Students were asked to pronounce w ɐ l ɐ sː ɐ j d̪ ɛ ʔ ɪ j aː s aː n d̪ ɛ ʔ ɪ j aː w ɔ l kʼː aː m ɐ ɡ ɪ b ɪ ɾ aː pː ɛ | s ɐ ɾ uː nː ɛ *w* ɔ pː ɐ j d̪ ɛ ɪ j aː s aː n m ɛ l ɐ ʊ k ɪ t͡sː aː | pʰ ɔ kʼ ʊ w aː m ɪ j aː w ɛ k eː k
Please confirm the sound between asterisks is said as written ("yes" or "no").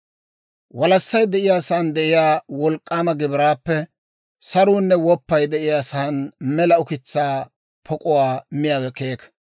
yes